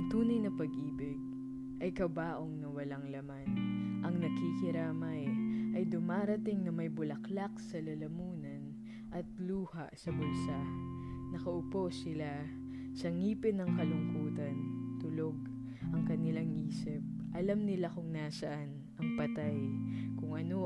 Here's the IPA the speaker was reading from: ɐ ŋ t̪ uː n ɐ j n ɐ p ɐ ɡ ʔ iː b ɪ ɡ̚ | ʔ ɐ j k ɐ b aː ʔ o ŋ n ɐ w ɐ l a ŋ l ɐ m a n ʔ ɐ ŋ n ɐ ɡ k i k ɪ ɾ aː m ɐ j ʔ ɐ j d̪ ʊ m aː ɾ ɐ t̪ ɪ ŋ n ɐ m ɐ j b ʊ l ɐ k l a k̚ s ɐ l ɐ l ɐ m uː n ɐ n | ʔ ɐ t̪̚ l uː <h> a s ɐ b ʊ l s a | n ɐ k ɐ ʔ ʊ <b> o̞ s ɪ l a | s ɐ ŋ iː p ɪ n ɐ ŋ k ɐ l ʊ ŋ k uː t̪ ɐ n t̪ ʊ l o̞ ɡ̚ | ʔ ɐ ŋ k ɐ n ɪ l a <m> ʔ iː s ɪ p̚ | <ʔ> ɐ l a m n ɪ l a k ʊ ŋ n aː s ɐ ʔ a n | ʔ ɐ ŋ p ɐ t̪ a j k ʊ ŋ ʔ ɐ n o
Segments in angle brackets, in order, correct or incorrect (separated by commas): correct, incorrect, incorrect, correct